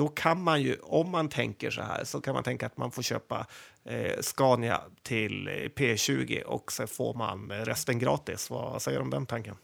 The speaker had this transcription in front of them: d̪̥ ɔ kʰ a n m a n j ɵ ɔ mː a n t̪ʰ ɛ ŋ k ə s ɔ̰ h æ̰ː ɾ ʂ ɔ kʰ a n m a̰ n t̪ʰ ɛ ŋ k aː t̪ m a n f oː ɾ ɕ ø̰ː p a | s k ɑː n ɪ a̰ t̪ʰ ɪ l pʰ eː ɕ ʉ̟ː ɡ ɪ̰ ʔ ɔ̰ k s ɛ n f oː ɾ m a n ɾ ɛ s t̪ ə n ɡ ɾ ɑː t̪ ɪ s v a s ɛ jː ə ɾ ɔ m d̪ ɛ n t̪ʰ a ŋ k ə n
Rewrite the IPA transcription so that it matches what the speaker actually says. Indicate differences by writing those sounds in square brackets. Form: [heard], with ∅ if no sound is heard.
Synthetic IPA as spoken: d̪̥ ɔ kʰ a n m a n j ɵ ɔ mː a n t̪ʰ ɛ ŋ k ə [ʂ] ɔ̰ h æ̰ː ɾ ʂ ɔ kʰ a n m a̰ n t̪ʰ ɛ ŋ k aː t̪ m a n f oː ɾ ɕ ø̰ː p a | s k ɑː n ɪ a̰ t̪ʰ ɪ l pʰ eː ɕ ʉ̟ː ɡ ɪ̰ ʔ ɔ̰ k s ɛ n f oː ɾ m a n ɾ ɛ s t̪ ə n ɡ ɾ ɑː t̪ ɪ s v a s ɛ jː ə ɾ ɔ m d̪ ɛ n t̪ʰ a ŋ k ə n